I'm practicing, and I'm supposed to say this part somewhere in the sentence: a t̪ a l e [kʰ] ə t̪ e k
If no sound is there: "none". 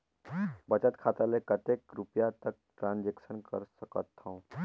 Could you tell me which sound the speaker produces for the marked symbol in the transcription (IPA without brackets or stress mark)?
k